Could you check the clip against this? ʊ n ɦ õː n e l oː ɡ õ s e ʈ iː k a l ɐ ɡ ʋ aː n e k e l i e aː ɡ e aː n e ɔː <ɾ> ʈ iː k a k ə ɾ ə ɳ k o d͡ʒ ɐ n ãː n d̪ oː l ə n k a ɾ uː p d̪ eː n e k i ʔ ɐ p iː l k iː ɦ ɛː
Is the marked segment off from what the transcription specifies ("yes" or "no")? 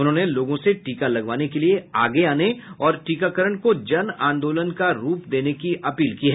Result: no